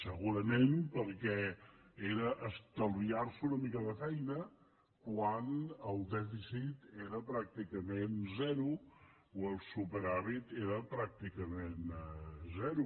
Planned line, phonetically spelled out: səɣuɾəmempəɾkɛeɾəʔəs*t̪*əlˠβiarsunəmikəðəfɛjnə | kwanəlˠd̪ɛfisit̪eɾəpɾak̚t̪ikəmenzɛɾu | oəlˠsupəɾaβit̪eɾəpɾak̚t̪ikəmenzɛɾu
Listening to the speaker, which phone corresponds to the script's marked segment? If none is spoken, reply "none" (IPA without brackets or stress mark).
t̪